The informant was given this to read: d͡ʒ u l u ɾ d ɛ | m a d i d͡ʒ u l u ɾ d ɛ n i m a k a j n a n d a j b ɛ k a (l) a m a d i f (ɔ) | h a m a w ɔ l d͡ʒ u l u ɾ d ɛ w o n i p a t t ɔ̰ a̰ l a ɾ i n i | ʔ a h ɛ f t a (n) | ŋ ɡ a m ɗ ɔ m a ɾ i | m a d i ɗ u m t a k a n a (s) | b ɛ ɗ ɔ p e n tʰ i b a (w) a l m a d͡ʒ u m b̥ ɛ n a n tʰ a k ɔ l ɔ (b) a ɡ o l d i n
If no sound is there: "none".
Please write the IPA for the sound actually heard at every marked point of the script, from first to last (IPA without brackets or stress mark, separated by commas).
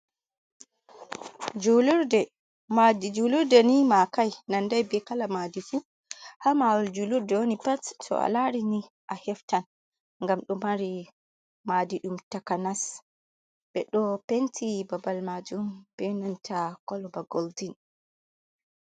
l, u, n, s, b, b